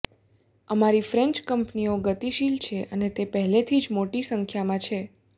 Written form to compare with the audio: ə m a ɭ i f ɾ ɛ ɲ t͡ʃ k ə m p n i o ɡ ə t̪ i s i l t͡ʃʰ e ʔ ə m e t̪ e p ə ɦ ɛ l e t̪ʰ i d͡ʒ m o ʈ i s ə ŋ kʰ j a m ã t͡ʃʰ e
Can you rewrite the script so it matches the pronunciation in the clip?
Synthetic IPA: ə m a ɾ i f ɾ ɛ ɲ t͡ʃ k ə m p n i o ɡ ə t̪ i ʃ i l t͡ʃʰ e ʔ ə n e t̪ e p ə ɦ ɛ l e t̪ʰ i d͡ʒ m o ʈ i s ə ŋ kʰ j a m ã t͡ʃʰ e